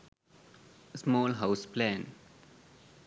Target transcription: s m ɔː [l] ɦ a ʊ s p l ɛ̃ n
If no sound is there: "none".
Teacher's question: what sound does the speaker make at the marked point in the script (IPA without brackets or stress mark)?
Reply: l